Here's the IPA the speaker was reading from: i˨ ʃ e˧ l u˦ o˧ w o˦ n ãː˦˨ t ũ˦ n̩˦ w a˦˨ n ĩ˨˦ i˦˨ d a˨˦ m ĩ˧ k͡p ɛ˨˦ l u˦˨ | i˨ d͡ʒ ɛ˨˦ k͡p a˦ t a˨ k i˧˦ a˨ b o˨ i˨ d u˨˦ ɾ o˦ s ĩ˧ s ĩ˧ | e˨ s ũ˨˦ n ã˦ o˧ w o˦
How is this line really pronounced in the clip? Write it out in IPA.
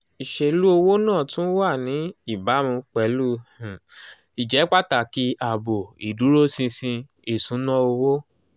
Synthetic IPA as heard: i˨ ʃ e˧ l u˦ o˧ w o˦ n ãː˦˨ t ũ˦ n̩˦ w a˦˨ n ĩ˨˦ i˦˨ b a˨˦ m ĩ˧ k͡p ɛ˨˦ l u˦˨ | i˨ d͡ʒ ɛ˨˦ k͡p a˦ t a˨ k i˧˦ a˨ b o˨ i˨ d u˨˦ ɾ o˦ s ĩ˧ s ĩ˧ | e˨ s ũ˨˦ n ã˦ o˧ w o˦